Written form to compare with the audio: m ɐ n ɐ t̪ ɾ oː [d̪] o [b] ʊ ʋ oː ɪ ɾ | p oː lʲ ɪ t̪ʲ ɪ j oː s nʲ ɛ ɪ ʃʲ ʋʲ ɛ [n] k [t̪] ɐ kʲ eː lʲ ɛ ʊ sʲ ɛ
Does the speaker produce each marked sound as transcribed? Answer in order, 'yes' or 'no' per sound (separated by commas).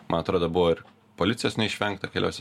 yes, yes, no, yes